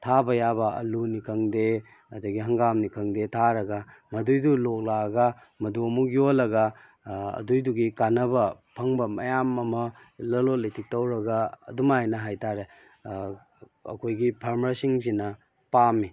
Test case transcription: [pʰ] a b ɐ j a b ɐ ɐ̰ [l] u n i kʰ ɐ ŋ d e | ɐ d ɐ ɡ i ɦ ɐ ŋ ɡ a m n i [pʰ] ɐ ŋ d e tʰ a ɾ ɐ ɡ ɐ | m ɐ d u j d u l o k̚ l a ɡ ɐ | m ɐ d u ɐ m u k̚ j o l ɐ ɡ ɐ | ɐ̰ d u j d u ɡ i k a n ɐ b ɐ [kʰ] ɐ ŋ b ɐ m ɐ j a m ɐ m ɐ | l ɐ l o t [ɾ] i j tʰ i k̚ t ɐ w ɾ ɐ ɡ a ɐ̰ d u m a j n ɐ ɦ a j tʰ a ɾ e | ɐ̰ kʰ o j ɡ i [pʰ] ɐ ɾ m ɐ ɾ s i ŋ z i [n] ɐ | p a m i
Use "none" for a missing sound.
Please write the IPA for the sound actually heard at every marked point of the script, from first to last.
tʰ, l, kʰ, pʰ, l, pʰ, n

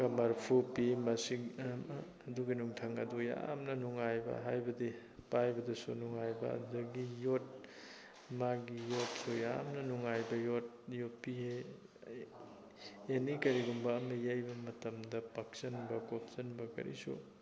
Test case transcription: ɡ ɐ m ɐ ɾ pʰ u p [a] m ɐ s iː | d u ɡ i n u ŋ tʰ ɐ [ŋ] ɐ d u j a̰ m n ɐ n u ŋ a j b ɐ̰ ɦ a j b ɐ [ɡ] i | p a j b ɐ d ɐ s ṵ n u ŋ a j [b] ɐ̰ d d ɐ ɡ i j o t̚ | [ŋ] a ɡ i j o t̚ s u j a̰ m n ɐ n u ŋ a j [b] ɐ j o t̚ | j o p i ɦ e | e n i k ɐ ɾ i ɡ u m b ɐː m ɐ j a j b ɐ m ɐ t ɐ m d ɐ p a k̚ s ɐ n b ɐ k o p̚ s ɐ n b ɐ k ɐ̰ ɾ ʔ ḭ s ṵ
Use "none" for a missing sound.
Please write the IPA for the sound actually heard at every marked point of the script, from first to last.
i, ŋ, d, b, m, b

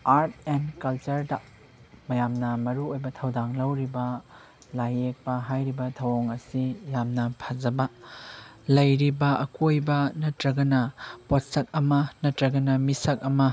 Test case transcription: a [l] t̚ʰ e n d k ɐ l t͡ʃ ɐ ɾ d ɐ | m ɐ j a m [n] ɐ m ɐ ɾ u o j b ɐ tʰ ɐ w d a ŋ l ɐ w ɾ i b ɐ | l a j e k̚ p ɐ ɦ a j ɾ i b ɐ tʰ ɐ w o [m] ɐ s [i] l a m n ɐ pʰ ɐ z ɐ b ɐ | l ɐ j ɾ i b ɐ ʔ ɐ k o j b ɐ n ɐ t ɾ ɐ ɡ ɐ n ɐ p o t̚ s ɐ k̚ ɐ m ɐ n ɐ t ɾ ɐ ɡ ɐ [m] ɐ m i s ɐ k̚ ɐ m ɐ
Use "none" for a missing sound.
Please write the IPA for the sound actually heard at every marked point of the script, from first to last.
ɾ, n, ŋ, i, n

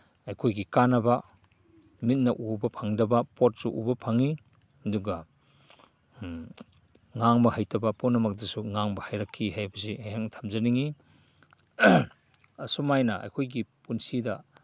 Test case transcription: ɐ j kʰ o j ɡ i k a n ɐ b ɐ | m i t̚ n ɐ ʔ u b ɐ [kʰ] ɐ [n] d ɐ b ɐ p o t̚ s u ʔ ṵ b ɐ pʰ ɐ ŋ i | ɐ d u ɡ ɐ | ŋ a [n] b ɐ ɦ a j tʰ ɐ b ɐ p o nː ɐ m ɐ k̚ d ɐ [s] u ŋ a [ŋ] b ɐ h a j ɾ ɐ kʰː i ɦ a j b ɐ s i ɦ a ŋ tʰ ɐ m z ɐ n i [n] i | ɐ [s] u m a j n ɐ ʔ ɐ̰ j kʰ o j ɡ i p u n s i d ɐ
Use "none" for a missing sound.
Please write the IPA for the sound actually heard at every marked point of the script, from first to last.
pʰ, ŋ, ŋ, s, ŋ, ŋ, s

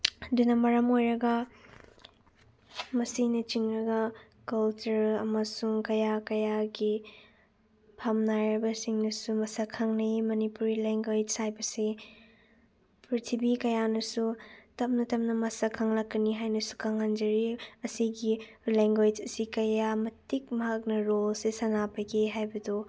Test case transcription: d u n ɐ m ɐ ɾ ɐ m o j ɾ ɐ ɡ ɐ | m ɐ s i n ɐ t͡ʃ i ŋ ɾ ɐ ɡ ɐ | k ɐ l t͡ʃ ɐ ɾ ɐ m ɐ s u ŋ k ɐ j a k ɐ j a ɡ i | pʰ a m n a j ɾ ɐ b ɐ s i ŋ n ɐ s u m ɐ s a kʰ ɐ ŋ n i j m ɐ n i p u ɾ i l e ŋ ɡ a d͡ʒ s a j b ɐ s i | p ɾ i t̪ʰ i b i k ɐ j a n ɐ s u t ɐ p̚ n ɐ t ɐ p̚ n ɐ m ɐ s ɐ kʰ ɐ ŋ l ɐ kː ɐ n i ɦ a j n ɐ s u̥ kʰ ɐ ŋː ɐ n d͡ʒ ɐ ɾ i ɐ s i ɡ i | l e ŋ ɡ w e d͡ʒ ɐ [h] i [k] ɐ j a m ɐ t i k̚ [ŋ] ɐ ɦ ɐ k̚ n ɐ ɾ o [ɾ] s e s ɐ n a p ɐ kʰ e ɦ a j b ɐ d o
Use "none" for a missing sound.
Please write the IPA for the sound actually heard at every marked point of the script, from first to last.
s, k, m, l

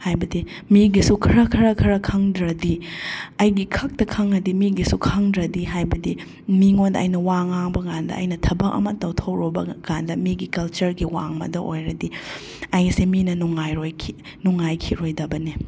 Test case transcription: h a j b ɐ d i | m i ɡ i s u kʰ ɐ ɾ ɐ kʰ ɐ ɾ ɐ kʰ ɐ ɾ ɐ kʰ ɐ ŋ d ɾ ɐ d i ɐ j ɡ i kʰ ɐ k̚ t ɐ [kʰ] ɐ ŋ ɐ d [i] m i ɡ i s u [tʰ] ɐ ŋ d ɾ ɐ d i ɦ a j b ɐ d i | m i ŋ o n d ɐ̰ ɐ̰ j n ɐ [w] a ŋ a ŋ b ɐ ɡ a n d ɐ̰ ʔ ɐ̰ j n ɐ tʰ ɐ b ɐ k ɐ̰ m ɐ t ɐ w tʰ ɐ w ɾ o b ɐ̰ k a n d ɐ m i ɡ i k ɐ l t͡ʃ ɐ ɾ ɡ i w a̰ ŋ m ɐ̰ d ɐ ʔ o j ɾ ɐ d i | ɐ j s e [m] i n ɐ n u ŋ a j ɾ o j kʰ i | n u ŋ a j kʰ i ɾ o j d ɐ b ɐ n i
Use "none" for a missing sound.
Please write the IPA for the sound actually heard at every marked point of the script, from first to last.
kʰ, i, kʰ, w, m

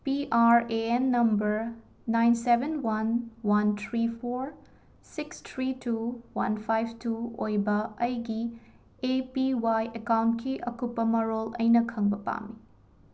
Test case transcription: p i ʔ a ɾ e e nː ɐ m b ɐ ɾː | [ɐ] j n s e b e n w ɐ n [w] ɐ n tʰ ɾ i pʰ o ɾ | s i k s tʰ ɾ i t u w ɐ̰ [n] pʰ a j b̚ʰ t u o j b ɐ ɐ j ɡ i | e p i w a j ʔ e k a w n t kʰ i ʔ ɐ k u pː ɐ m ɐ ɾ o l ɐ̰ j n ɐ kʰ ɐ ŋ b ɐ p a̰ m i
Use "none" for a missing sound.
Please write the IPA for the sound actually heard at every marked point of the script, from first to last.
a, w, n

